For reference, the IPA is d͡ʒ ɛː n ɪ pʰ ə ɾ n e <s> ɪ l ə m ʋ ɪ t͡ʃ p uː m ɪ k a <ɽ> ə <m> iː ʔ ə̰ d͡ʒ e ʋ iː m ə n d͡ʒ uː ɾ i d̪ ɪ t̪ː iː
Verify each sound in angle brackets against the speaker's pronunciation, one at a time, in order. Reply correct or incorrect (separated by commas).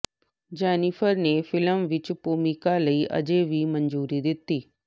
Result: incorrect, incorrect, incorrect